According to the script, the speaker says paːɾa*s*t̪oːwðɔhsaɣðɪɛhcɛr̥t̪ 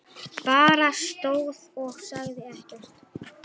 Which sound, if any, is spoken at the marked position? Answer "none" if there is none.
s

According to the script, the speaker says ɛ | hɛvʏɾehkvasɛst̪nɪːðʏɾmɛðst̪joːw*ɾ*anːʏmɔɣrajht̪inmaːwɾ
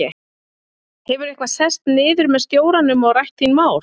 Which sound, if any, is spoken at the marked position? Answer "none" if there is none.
ɾ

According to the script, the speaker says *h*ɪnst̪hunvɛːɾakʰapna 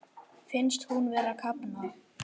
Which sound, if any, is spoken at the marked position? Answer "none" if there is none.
f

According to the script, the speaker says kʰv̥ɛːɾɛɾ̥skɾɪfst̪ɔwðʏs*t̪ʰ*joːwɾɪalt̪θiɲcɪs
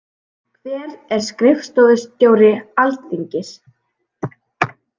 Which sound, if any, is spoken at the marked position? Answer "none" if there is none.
t̪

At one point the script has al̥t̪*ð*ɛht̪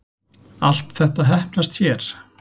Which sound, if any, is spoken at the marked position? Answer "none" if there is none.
θ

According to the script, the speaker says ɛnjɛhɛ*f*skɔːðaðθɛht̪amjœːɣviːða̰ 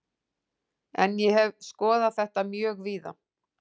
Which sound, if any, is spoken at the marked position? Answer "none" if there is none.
v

